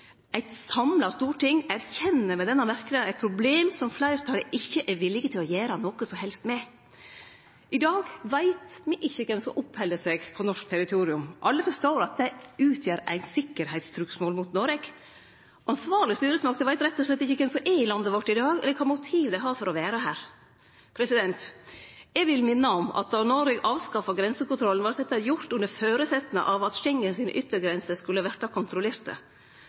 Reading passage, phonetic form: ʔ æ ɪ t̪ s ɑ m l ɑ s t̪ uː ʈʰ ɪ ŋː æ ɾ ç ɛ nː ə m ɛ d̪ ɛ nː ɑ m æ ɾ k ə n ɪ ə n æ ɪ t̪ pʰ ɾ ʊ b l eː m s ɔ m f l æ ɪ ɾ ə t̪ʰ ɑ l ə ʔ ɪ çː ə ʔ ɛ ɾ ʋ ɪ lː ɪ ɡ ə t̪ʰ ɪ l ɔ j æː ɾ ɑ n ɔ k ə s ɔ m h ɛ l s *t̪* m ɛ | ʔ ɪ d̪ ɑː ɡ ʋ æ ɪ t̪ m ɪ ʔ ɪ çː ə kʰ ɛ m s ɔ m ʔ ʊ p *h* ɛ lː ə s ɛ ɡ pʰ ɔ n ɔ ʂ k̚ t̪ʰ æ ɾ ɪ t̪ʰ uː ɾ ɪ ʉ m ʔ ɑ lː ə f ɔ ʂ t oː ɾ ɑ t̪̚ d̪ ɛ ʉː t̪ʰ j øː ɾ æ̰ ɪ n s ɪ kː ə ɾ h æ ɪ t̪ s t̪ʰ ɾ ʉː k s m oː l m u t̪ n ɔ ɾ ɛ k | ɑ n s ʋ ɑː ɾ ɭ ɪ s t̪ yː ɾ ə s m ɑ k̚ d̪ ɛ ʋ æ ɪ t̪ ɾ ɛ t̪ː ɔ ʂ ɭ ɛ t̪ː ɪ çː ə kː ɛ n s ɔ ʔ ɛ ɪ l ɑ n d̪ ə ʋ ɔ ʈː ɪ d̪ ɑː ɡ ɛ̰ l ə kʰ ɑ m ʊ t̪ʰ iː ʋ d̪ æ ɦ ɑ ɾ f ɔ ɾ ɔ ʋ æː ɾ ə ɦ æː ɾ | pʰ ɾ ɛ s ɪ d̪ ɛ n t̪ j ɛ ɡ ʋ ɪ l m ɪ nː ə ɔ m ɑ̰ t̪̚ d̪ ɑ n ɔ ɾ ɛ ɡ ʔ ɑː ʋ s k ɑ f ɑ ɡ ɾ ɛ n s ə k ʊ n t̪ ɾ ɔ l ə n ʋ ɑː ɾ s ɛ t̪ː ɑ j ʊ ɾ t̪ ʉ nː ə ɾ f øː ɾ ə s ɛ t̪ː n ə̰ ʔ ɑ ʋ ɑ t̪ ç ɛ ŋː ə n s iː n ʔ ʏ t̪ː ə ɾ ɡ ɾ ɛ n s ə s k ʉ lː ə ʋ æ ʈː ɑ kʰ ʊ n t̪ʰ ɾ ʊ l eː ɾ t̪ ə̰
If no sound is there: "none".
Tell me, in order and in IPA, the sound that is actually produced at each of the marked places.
t̪, h

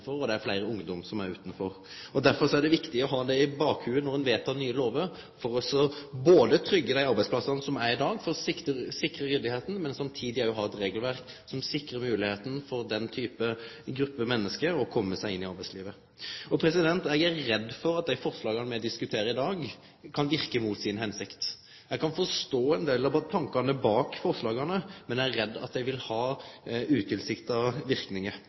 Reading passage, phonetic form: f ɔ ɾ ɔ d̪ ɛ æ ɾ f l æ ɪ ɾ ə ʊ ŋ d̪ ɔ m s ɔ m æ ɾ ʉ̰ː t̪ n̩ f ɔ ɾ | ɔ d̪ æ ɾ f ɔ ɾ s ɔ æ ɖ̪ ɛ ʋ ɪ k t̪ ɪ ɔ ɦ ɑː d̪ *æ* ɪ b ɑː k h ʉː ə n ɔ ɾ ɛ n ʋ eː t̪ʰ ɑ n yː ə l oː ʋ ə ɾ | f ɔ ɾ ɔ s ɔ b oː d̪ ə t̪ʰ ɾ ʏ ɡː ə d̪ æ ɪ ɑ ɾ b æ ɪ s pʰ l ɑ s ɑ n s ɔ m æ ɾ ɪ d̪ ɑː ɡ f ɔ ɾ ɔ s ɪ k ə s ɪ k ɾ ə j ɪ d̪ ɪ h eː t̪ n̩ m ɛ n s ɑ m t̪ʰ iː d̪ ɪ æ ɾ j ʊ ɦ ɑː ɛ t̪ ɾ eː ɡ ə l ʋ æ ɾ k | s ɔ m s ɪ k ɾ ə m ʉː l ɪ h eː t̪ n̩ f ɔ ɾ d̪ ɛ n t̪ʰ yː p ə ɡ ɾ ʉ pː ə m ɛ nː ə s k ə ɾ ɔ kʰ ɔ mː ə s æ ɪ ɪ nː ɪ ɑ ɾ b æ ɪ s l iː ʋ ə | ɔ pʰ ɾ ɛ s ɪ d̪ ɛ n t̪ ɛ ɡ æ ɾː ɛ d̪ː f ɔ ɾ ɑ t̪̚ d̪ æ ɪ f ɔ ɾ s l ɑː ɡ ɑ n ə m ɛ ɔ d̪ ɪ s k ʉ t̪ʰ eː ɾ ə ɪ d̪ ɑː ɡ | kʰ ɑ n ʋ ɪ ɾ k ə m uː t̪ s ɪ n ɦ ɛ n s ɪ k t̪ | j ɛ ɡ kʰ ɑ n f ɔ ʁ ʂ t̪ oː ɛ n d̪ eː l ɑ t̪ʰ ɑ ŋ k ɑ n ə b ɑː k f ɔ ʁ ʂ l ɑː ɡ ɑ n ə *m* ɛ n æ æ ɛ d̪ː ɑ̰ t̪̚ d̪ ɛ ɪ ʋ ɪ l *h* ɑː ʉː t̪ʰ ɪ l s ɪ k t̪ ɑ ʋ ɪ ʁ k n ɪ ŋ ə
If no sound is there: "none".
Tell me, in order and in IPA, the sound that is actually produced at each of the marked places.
ɛ, m, h

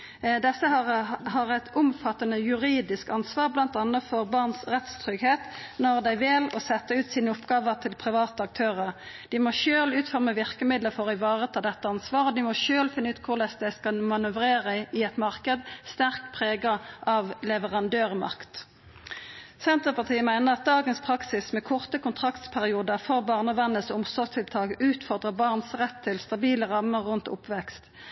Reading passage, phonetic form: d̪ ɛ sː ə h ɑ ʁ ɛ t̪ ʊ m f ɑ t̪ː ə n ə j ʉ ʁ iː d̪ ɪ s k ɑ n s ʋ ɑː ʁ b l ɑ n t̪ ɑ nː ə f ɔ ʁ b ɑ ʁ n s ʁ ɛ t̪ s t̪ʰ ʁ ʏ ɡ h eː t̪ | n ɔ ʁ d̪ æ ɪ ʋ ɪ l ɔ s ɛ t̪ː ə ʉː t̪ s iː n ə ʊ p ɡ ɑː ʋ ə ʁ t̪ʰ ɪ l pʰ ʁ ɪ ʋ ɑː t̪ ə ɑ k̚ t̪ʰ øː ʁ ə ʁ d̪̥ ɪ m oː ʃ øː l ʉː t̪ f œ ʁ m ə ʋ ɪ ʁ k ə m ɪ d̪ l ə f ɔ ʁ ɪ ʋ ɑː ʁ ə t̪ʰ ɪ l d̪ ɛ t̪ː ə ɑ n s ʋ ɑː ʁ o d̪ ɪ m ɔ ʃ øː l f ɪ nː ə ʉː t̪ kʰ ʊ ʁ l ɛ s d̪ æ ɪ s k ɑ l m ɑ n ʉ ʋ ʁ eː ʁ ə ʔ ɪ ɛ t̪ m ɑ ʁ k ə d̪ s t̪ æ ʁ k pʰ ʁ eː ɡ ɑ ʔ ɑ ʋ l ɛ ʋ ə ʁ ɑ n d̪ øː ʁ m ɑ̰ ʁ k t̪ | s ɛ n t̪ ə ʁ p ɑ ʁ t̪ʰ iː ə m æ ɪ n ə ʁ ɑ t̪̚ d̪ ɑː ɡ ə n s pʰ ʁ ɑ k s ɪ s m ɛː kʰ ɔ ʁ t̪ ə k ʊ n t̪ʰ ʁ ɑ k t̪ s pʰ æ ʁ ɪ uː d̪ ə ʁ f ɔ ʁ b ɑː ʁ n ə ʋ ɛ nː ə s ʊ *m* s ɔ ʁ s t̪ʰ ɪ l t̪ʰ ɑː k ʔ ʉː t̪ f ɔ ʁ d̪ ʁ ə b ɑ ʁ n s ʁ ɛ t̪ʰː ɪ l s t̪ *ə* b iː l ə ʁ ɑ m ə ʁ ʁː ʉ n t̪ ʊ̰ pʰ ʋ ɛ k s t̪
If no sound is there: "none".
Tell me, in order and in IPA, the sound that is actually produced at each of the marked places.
m, ɑ

